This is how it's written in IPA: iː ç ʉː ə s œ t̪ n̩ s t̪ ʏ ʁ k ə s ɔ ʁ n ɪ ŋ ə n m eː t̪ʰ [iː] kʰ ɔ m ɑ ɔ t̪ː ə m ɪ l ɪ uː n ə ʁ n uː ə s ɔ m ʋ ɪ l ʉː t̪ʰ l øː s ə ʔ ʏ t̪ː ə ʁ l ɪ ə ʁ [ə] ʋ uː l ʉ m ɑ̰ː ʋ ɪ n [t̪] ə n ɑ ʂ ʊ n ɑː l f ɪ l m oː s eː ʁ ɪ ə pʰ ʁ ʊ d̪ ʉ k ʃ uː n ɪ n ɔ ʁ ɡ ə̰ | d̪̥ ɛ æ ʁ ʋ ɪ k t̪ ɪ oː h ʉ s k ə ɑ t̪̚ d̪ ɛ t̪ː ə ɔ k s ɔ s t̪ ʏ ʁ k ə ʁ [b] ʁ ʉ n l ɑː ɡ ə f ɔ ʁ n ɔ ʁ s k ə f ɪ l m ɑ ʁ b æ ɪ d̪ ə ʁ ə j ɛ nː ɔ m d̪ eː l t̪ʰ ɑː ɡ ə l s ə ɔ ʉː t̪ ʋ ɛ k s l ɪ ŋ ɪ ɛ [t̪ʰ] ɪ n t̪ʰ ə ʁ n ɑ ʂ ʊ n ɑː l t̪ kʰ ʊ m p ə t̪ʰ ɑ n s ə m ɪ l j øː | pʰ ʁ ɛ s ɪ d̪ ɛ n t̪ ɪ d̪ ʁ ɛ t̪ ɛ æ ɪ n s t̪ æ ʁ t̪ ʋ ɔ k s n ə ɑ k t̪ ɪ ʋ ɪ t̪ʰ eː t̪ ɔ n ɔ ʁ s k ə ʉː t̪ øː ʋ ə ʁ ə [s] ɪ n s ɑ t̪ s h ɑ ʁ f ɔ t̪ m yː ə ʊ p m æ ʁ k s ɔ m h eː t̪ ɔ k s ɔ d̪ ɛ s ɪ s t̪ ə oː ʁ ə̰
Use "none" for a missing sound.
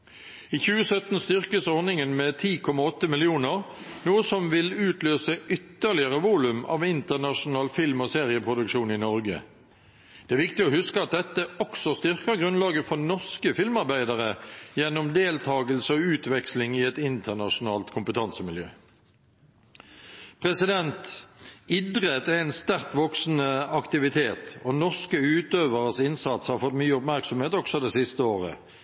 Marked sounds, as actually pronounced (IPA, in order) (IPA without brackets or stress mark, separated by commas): iː, ə, t̪, ɡ, t̪, s